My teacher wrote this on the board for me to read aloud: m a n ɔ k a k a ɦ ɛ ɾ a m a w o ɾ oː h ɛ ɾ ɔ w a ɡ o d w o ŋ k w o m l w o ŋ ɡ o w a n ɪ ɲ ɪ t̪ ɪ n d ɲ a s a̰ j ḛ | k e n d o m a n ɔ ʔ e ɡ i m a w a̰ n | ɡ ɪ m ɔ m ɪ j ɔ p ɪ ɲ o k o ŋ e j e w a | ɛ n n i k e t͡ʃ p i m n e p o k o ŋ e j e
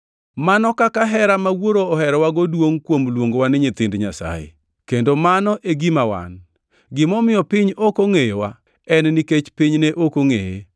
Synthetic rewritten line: m a n ɔ k a k a ɦ ɛ ɾ a m a w o ɾ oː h ɛ ɾ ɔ w a ɡ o d w o ŋ k w o m l w o ŋ ɡ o w a n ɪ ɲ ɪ t̪ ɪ n d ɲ a s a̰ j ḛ | k e n d o m a n ɔ ʔ e ɡ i m a w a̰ n | ɡ ɪ m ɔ m ɪ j ɔ p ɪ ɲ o k o ŋ e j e w a | ɛ n n i k e t͡ʃ p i ɲ n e ʔ o k o ŋ e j e